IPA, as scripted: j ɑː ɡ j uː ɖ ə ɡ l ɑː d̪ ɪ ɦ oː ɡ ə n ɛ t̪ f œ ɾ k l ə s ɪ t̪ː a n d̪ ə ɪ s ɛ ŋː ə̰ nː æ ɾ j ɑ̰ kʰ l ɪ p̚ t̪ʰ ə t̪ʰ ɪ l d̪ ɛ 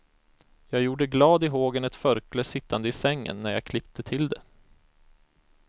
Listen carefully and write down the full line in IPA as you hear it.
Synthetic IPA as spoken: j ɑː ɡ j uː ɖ ə ɡ l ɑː d̪ ɪ ɦ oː ɡ ə n ɛ t̪ f œ ɾ k l ə s ɪ t̪ː a n d̪ ə ɪ s ɛ ŋː ə̰ nː æ ɾ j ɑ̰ kʰ l ɪ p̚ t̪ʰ ə t̪ʰ ɪ l d̪ ɛ